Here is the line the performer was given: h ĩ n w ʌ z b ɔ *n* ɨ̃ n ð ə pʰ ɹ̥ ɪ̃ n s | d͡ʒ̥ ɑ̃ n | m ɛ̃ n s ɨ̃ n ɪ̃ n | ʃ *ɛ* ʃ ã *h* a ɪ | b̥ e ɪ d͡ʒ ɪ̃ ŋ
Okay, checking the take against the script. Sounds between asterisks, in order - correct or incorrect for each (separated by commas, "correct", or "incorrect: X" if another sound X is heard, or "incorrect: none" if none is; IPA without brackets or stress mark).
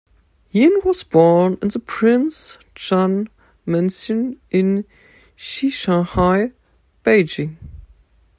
correct, incorrect: i, correct